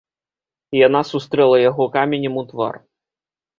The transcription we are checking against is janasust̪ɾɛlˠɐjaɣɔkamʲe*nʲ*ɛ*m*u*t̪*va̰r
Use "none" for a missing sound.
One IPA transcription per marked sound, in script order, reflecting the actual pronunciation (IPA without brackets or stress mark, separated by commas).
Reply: nʲ, m, t̪